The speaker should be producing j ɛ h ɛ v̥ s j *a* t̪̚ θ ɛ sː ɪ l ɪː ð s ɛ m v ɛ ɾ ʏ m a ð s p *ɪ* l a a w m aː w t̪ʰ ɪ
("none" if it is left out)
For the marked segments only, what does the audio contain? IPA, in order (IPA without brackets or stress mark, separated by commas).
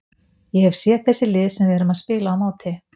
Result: ɛ, ɪː